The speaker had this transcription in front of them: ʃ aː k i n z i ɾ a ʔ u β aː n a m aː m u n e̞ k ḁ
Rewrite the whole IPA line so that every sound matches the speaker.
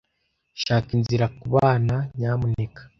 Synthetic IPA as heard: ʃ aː k i n z i ɾ a k u β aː n a ɲ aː m u n e̞ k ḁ

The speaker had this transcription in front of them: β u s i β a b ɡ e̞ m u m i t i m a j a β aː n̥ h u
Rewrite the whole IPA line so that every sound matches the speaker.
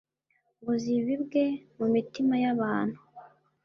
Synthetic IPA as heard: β u z i β i b ɡ e̞ m u m i t i m a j a β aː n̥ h u

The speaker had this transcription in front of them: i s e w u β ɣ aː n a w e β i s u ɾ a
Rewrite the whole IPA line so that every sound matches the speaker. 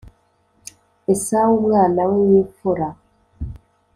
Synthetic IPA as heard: e s a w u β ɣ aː n a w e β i f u ɾ a

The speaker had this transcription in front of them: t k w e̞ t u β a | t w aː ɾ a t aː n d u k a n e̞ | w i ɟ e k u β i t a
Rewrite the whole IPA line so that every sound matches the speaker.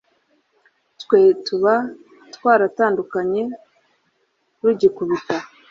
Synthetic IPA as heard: t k w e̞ t u β a | t w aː ɾ a t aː n d u k a ɲ e̞ | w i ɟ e k u β i t a

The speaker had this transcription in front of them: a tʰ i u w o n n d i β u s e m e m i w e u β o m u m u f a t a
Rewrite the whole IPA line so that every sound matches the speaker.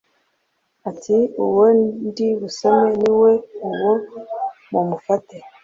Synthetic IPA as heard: a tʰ i u w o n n d i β u s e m e n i w e u w o m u m u f a t e

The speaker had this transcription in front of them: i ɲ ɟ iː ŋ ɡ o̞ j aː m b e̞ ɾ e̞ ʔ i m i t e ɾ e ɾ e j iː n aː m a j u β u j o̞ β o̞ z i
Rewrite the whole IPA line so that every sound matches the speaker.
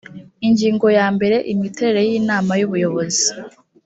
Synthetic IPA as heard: i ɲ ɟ iː ŋ ɡ o̞ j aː m b e̞ ɾ e̞ ʔ i m i t e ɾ e ɾ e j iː n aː m a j u β u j o̞ β o̞ z i

